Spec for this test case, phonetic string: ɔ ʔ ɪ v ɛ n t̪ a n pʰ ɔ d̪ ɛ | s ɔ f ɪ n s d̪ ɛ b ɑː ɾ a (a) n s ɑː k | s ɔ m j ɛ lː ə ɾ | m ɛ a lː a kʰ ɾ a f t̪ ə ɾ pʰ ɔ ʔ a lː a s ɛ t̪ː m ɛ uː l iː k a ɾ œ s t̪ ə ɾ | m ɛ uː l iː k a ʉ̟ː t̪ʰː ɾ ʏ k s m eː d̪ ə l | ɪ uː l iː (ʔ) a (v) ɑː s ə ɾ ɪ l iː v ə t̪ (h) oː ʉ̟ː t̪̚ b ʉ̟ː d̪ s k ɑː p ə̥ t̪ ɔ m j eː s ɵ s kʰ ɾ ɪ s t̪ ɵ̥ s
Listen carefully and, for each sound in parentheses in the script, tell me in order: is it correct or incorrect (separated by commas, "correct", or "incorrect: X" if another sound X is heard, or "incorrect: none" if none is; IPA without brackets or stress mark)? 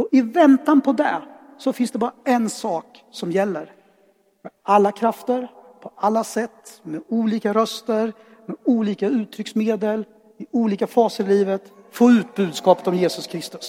incorrect: ɛ, incorrect: k, incorrect: f, incorrect: f